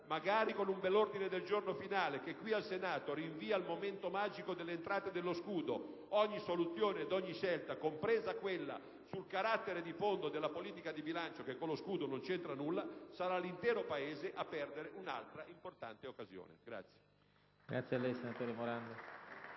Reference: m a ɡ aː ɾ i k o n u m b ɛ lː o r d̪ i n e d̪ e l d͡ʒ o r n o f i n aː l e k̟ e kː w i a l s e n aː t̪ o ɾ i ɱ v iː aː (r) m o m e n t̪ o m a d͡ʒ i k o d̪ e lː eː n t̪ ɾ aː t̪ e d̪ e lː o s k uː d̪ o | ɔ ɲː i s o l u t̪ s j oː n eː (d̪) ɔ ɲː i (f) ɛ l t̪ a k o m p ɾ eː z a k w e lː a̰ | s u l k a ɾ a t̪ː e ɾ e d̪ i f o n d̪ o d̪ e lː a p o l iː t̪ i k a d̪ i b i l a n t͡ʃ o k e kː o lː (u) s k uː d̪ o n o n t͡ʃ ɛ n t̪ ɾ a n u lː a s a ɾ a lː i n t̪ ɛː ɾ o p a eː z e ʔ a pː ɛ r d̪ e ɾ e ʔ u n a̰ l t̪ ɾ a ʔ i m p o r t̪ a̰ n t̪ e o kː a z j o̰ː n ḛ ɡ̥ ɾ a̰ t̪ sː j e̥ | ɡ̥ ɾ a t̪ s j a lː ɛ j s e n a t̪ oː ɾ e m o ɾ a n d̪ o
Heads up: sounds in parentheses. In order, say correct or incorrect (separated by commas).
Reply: incorrect, correct, incorrect, incorrect